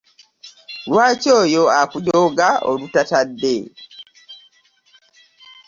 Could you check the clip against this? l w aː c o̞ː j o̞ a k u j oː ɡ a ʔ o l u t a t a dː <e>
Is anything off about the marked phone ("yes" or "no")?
no